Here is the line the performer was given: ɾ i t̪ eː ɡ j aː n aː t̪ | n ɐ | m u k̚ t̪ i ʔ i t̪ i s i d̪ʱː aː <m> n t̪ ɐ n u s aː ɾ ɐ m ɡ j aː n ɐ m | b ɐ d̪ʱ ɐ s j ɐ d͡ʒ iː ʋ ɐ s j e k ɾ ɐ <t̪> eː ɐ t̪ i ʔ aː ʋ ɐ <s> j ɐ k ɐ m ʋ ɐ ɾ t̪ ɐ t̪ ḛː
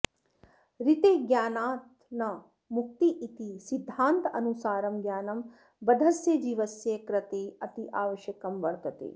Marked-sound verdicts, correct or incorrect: incorrect: none, correct, incorrect: ʃ

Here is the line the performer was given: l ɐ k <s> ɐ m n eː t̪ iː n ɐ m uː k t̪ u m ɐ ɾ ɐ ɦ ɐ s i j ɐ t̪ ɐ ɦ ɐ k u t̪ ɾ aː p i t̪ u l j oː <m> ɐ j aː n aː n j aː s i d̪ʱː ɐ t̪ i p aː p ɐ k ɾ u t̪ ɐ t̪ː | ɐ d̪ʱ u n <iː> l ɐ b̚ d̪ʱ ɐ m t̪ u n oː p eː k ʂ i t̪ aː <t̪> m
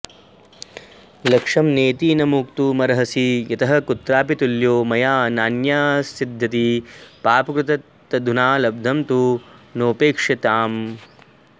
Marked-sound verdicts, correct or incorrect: incorrect: ʂ, correct, incorrect: aː, incorrect: none

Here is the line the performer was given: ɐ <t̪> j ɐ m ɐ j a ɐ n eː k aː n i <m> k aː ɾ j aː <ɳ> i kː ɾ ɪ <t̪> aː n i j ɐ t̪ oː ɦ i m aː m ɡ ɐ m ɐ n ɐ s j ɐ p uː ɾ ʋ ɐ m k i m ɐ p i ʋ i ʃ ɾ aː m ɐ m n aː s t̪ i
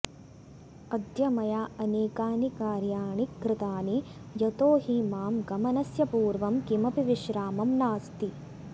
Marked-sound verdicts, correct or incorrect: incorrect: d̪, incorrect: none, correct, correct

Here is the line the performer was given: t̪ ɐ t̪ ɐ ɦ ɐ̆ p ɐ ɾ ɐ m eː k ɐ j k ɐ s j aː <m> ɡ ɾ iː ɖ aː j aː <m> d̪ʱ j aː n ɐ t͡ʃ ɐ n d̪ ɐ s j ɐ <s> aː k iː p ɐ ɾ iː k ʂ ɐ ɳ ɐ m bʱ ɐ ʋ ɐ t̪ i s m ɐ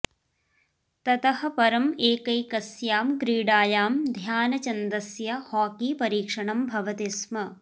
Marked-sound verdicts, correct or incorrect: correct, correct, incorrect: h

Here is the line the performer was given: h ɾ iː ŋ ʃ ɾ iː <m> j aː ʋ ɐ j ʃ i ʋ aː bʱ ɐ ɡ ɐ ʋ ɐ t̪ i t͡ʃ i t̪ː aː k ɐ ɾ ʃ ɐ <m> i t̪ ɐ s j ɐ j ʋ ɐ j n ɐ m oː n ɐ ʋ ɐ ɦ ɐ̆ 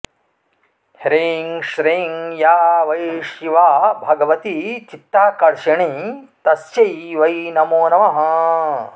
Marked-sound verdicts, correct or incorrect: incorrect: ŋ, incorrect: ɳ

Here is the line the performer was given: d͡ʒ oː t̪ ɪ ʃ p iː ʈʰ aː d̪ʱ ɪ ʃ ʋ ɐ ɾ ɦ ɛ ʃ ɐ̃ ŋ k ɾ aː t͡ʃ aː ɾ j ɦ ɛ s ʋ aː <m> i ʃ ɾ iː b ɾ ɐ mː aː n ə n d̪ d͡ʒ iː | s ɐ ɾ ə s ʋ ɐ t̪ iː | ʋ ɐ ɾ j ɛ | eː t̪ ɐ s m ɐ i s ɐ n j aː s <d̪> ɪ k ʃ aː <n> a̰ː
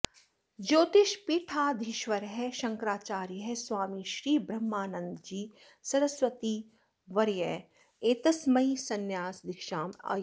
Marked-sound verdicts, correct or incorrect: correct, correct, incorrect: m

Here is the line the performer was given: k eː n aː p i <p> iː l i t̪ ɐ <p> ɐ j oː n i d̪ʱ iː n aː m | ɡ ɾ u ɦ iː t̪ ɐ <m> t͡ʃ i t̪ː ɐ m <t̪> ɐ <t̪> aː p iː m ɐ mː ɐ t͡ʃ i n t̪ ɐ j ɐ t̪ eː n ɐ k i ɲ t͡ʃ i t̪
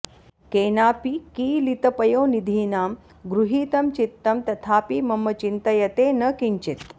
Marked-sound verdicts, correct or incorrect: incorrect: k, correct, correct, correct, incorrect: t̪ʰ

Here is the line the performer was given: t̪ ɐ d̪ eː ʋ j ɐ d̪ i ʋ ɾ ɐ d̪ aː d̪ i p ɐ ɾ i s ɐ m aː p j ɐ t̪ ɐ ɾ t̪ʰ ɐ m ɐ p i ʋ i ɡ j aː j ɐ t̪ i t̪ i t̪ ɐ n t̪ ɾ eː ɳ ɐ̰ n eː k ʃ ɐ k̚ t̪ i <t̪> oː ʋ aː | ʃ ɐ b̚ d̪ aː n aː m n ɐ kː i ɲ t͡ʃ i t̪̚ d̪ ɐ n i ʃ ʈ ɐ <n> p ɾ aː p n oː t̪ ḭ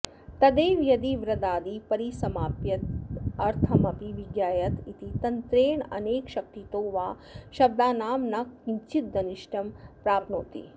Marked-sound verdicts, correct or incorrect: correct, incorrect: m

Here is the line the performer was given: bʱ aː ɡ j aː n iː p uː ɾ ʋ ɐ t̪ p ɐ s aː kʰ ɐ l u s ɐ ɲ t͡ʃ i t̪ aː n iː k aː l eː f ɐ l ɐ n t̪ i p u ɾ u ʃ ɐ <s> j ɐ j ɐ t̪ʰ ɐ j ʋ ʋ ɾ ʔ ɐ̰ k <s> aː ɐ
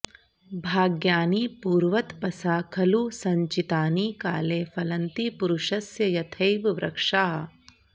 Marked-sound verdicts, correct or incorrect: correct, incorrect: ʂ

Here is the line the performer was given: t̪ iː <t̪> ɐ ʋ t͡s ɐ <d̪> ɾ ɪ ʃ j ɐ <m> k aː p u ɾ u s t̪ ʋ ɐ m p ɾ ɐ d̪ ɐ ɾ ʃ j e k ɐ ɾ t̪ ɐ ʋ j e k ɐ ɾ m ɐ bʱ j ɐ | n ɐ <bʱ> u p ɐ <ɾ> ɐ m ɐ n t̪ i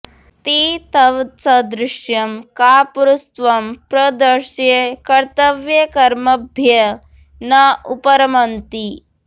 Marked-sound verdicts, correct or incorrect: correct, correct, correct, incorrect: none, correct

